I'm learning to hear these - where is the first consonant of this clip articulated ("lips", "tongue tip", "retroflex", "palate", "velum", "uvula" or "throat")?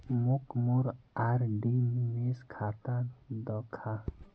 lips